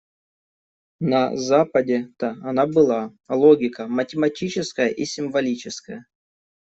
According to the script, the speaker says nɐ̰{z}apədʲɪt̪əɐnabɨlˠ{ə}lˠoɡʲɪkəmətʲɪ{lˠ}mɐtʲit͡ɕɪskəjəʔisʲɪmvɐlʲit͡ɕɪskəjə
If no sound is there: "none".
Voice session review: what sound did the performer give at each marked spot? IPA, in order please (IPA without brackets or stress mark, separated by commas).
z, a, none